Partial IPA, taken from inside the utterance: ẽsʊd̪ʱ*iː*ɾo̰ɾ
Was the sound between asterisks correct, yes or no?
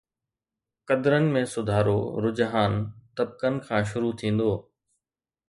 no